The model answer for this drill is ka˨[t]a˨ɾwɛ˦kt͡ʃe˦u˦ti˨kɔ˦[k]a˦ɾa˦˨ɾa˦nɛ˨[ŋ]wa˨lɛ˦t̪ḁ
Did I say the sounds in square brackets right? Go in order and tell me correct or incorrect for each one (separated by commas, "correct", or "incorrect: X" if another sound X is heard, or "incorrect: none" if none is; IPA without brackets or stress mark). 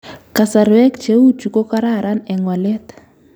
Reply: incorrect: s, correct, correct